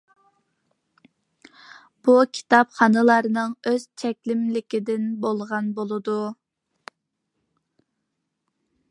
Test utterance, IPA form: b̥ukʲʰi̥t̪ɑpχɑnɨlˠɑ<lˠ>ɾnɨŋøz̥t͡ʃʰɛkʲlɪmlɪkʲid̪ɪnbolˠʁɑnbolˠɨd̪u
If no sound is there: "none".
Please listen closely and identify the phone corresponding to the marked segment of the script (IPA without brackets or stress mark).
none